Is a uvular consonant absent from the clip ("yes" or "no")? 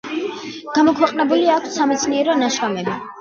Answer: no